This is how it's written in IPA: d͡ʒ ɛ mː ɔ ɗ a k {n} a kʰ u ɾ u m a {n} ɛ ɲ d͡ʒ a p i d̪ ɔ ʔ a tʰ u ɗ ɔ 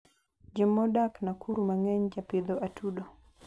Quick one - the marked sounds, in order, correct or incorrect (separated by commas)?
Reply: correct, incorrect